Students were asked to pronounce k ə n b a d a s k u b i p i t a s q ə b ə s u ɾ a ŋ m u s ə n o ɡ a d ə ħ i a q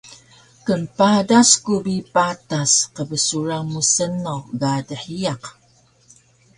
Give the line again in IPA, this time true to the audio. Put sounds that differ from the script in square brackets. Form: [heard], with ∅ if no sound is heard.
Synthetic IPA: k ə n [p] a d a s k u b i p [a] t a s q ə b ə s u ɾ a ŋ m u s ə n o ɡ a d ə ħ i a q